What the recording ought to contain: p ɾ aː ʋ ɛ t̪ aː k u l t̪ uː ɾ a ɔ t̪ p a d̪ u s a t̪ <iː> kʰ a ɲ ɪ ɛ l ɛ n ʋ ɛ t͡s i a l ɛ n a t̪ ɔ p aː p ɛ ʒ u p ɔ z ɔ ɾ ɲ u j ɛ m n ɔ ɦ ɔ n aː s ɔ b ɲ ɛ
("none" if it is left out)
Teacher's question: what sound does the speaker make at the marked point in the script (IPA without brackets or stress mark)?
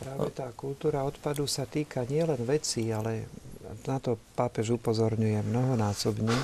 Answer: iː